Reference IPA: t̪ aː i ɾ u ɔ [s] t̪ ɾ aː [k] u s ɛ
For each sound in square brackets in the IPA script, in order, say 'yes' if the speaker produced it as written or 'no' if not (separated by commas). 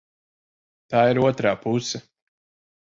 no, no